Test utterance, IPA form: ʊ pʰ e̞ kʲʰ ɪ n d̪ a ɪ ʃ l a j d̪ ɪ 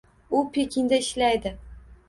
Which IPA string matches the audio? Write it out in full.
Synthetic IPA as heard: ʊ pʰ e̞ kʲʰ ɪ n d̪ a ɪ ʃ l a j d̪ ɪ